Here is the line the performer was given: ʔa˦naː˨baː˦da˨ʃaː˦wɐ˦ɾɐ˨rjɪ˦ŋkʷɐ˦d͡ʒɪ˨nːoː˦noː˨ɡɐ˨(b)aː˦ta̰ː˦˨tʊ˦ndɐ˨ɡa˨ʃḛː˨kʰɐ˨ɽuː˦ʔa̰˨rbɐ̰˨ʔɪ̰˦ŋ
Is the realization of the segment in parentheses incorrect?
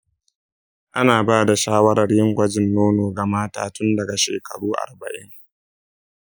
yes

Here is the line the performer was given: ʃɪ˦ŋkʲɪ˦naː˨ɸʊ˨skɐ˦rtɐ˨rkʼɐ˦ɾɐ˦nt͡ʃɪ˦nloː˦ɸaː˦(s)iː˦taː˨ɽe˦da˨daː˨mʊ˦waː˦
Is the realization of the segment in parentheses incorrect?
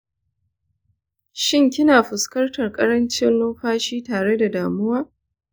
yes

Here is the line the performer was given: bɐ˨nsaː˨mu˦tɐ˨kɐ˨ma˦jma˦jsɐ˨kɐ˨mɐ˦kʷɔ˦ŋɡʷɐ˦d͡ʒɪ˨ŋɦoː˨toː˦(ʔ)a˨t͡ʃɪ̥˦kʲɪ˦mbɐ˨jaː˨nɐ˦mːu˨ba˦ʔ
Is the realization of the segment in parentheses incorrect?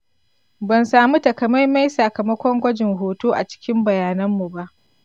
no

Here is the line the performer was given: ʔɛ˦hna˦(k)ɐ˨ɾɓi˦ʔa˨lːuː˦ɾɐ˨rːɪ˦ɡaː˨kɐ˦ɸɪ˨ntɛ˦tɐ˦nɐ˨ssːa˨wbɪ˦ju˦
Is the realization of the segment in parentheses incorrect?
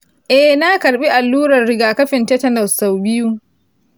no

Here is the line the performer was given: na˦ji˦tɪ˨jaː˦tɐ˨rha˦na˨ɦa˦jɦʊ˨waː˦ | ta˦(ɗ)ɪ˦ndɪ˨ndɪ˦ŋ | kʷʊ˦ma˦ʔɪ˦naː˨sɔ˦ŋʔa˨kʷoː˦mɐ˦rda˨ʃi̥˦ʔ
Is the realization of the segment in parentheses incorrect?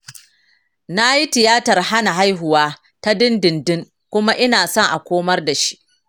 yes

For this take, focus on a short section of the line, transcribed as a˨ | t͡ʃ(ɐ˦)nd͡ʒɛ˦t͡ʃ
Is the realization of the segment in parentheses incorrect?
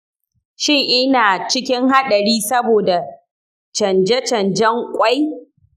yes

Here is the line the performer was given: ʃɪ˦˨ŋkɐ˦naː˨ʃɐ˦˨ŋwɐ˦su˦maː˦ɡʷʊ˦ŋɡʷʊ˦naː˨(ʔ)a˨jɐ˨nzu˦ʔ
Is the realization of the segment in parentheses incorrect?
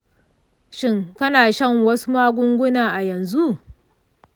no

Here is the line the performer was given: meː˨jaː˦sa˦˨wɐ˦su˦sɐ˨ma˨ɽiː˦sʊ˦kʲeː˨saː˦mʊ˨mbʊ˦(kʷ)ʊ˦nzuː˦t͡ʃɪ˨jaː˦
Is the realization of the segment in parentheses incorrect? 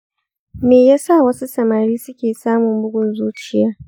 yes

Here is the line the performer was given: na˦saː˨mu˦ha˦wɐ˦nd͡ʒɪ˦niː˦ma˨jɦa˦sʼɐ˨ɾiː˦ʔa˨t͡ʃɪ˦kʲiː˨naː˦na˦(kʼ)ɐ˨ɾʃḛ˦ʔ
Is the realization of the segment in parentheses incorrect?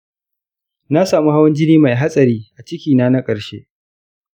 no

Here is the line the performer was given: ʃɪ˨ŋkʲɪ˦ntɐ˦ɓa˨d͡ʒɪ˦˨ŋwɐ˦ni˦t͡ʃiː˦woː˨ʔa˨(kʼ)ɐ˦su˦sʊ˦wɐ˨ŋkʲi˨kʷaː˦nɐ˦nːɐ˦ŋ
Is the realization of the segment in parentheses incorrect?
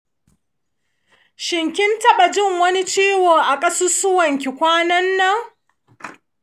no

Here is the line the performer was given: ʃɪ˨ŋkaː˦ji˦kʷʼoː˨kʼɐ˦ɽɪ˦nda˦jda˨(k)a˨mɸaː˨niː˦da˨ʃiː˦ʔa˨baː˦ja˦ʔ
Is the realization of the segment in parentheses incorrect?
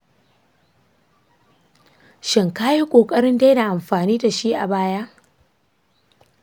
yes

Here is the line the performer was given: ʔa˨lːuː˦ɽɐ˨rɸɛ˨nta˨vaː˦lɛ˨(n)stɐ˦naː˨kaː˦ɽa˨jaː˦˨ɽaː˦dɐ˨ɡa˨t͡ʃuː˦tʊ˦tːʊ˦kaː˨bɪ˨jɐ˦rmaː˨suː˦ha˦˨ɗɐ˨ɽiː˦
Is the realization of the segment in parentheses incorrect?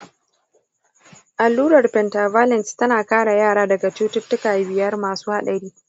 no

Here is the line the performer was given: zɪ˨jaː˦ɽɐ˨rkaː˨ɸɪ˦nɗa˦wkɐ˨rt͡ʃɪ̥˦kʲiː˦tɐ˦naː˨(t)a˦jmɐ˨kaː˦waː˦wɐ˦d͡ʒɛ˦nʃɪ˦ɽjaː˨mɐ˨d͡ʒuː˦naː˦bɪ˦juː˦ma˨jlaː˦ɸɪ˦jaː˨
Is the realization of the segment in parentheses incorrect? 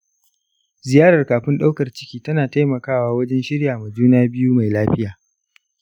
no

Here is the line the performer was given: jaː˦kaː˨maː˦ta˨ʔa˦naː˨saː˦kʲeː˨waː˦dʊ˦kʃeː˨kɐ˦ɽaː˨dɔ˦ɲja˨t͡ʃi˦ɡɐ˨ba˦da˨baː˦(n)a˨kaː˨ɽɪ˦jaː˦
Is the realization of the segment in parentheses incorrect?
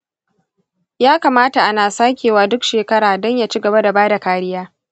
yes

